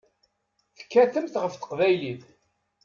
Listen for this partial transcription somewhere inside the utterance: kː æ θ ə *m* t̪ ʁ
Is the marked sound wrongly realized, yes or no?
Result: no